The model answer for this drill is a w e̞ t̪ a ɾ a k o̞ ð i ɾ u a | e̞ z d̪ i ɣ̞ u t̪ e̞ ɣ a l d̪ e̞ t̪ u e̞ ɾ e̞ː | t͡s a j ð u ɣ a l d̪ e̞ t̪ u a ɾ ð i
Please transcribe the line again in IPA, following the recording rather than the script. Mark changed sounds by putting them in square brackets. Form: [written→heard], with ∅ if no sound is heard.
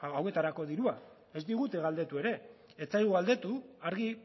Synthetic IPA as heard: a w e̞ t̪ a ɾ a k o̞ ð i ɾ u a | e̞ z d̪ i ɣ̞ u t̪ e̞ ɣ a l d̪ e̞ t̪ u e̞ ɾ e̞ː | t͡s a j [ð→ɣ] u ɣ a l d̪ e̞ t̪ u a ɾ [ð→ɣ] i